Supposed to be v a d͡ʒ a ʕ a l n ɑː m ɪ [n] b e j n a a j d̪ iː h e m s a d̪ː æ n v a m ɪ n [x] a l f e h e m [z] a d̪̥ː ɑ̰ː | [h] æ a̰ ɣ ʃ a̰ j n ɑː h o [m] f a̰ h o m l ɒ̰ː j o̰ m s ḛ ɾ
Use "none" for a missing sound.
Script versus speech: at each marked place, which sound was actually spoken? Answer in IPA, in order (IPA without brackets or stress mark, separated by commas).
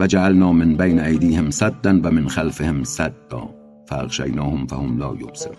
n, x, s, f, m